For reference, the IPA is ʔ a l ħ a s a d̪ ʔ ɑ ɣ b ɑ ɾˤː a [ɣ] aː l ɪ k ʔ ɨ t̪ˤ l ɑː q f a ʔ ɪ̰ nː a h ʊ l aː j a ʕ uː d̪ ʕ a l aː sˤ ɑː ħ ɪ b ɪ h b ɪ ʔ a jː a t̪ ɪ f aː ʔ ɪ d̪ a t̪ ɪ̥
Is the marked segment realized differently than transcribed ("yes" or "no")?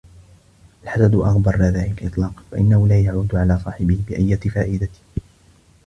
yes